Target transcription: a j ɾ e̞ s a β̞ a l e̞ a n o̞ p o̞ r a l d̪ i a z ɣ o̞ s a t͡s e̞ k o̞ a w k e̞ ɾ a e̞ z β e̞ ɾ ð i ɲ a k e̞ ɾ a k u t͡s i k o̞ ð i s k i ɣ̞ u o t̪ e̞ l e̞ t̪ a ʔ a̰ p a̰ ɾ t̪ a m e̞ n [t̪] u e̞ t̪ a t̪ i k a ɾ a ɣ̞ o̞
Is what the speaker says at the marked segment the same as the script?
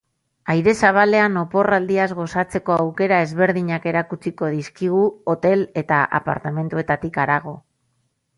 yes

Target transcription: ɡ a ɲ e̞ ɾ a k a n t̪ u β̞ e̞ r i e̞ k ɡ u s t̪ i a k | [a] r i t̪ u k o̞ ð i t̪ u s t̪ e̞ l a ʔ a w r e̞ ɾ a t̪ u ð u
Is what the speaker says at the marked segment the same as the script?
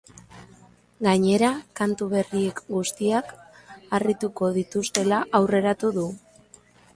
yes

